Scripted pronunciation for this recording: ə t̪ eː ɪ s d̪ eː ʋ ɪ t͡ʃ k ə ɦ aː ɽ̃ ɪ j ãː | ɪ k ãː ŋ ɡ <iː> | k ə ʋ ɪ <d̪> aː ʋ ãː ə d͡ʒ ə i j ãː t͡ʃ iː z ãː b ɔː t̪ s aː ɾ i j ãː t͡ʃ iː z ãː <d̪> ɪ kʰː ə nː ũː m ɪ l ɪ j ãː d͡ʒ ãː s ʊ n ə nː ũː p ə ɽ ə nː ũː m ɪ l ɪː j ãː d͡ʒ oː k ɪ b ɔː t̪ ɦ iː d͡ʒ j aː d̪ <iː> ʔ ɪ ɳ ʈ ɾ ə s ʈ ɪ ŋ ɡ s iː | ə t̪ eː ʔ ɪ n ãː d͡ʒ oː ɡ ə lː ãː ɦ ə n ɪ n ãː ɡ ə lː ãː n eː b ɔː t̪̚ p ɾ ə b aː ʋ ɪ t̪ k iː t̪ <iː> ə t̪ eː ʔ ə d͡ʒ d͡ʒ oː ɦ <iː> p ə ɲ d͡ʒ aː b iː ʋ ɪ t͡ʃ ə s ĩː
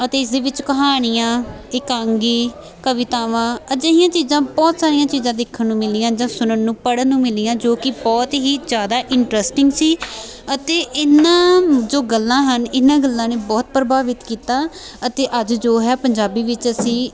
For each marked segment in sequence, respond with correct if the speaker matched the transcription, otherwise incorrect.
correct, incorrect: t̪, correct, incorrect: aː, incorrect: aː, incorrect: ɛː

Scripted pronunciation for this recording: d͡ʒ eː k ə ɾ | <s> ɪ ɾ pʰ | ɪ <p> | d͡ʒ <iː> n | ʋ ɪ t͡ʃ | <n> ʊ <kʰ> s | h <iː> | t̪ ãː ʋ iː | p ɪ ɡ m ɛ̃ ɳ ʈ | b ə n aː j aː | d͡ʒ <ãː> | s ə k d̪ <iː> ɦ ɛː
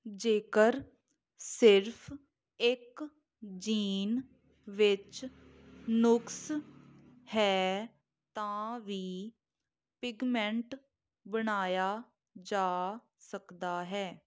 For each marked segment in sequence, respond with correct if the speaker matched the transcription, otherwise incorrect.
correct, incorrect: k, correct, correct, incorrect: k, incorrect: ɛː, incorrect: aː, incorrect: aː

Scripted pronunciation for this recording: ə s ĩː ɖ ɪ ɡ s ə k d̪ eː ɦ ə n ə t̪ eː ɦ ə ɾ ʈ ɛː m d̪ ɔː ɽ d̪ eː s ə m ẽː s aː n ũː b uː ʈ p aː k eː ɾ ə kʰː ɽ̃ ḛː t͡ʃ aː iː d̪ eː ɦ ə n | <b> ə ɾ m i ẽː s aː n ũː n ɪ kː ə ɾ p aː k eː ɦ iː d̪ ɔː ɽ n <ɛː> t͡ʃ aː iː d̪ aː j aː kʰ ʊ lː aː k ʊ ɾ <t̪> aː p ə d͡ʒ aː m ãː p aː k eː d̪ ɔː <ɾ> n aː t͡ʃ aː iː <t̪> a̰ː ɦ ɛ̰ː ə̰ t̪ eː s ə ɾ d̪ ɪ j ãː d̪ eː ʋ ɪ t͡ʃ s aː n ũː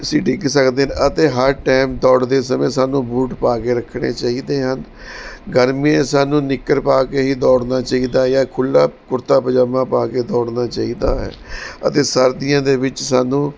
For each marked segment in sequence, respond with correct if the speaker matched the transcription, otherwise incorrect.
incorrect: ɡ, incorrect: aː, correct, incorrect: ɽ, incorrect: d̪

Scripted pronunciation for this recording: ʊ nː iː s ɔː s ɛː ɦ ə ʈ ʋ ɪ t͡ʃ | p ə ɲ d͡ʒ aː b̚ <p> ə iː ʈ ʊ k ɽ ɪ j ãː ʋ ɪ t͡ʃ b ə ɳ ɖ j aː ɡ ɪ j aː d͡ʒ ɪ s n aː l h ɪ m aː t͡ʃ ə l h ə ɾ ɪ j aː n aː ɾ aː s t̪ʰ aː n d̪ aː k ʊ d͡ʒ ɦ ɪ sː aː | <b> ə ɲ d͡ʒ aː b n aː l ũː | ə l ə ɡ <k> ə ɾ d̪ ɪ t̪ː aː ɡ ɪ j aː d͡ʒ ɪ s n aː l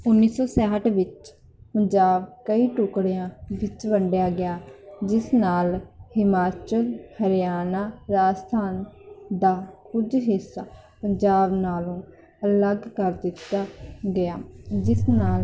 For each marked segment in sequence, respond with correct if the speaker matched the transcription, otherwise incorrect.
incorrect: k, incorrect: p, correct

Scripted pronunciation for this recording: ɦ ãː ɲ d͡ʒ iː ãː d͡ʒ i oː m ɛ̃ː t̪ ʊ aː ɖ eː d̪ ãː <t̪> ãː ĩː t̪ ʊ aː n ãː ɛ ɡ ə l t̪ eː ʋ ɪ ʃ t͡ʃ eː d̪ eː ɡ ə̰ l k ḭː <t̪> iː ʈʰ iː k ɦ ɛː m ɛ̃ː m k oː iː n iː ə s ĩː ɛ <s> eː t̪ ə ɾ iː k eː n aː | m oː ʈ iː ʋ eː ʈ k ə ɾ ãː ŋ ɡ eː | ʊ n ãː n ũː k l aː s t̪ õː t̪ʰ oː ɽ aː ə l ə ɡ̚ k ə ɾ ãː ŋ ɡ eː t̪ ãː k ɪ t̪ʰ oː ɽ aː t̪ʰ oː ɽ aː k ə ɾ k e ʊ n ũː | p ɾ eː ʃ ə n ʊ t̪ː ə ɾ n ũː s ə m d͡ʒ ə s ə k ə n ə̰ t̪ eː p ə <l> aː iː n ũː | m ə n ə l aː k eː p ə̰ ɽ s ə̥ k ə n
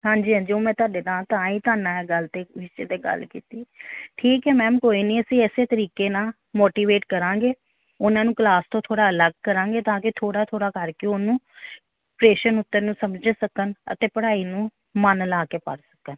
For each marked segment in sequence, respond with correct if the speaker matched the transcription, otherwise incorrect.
correct, correct, correct, incorrect: ɽ

